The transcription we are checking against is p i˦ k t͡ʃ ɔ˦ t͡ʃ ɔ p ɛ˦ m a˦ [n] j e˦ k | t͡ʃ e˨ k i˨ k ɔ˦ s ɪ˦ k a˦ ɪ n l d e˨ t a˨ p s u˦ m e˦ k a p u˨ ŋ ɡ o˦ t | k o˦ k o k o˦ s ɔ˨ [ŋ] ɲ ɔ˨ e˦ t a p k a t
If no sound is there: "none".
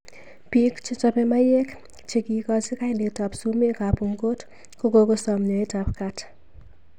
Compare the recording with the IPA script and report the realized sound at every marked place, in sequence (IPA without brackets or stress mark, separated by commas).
none, m